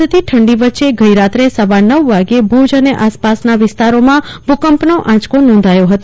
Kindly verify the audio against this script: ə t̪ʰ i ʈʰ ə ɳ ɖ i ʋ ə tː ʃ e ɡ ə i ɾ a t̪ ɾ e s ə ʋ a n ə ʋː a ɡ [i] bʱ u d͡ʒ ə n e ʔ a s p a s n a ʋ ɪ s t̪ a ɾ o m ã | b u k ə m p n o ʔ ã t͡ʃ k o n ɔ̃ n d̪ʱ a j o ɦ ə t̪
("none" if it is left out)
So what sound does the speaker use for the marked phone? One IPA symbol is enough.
e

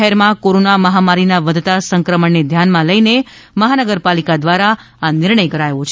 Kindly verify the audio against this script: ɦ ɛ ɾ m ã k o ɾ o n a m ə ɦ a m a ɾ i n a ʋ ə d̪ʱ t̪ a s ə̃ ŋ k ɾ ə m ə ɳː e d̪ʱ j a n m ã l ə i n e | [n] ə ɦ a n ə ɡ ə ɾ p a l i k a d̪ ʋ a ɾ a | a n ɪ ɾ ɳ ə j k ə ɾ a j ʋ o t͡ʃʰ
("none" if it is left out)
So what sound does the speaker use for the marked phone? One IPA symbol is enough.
m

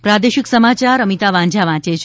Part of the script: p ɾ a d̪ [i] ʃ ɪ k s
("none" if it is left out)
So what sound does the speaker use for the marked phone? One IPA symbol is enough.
e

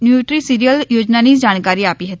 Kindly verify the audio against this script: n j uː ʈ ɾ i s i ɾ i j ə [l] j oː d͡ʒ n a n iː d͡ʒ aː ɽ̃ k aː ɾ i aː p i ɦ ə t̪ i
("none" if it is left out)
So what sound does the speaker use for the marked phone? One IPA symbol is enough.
l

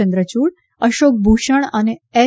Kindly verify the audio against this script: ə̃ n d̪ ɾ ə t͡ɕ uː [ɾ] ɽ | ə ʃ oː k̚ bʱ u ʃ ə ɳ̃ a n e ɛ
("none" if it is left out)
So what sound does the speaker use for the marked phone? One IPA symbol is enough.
none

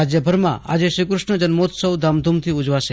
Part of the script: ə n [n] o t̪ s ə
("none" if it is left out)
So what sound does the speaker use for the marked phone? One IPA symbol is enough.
m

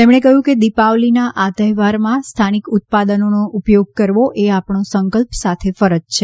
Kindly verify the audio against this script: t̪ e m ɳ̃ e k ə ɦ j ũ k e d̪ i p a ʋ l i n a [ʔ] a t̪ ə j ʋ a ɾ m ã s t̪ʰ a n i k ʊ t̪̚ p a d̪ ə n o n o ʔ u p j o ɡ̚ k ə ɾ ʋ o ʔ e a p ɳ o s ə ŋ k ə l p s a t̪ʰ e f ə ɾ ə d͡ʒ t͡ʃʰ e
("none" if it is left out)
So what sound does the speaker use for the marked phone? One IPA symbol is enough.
ʔ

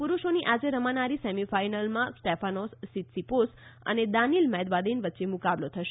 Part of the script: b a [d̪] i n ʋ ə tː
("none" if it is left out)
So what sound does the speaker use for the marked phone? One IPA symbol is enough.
d̪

